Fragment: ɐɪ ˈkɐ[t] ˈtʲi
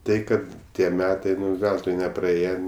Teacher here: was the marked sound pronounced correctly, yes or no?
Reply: yes